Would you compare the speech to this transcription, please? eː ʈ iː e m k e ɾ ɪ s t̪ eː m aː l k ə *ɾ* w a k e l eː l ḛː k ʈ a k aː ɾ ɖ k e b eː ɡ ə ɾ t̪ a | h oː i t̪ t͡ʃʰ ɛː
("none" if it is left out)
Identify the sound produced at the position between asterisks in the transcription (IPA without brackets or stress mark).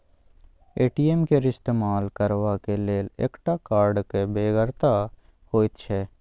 ɾ